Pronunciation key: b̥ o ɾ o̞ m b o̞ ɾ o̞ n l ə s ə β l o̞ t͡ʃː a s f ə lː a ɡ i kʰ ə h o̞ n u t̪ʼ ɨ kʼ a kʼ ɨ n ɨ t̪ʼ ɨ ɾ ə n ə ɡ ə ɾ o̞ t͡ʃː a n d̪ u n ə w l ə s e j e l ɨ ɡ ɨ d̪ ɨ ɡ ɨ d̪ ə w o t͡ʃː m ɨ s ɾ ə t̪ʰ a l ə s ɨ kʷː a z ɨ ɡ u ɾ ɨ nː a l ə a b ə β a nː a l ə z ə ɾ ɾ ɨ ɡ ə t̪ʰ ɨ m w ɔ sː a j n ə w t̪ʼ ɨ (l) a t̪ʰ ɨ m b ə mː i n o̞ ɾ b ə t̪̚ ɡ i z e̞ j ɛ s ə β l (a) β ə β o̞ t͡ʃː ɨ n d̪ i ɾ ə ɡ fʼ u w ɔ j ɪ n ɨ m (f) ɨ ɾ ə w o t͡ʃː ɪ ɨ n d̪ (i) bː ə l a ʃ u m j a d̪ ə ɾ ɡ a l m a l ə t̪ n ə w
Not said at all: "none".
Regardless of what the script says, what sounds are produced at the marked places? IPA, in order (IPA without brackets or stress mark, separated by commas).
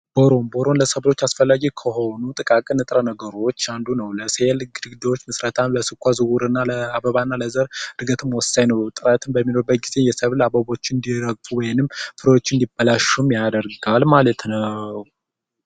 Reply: ɾ, a, f, i